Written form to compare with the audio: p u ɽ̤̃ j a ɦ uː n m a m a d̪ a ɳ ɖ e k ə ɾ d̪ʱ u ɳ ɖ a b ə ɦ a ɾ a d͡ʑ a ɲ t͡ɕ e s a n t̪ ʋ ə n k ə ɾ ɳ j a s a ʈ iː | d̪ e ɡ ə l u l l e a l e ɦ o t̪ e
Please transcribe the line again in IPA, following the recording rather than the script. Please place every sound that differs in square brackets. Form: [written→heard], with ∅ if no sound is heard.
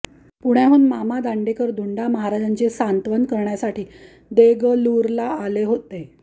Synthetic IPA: p u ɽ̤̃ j a ɦ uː n m a m a d̪ a ɳ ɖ e k ə ɾ d̪ʱ u ɳ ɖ a [b→m] ə ɦ a ɾ a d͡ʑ a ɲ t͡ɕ e s a n t̪ ʋ ə n k ə ɾ ɳ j a s a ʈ iː | d̪ e ɡ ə l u [l→ɾ] l [e→a] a l e ɦ o t̪ e